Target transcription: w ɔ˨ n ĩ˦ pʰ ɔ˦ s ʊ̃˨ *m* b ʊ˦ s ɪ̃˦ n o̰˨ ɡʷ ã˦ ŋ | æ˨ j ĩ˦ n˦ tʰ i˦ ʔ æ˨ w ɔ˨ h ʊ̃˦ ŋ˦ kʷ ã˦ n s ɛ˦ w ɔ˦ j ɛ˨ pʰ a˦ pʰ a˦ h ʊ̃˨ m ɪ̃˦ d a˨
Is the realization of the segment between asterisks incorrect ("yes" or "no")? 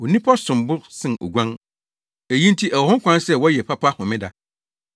no